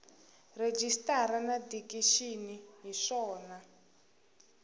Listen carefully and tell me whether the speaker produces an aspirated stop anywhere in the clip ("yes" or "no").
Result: no